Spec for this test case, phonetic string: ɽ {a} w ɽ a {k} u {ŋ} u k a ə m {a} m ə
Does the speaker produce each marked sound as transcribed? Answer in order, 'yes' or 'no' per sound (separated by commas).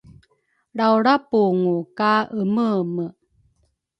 yes, no, yes, no